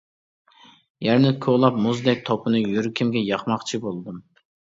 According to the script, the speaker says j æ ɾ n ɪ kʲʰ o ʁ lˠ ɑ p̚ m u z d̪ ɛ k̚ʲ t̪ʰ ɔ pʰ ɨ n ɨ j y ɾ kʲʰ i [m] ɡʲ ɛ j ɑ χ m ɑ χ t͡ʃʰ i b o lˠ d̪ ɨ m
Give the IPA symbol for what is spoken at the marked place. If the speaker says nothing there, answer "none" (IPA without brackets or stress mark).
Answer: m